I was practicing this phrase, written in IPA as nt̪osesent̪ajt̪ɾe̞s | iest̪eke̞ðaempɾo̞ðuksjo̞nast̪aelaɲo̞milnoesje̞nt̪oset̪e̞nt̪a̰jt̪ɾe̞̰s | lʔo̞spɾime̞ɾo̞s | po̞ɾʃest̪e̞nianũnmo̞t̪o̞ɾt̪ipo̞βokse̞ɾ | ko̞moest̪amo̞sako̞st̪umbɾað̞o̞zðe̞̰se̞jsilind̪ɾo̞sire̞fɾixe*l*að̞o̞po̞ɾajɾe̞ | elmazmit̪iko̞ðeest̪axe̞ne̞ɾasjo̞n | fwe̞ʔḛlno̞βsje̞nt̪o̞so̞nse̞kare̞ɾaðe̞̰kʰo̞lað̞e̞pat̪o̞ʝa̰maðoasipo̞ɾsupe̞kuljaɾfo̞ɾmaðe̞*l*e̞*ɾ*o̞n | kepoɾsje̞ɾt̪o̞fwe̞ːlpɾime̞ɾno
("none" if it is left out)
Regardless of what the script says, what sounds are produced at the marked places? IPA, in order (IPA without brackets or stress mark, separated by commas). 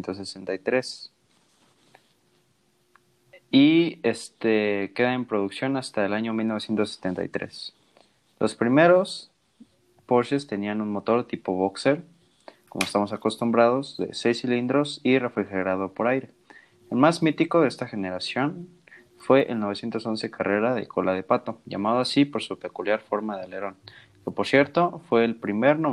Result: ɾ, l, ɾ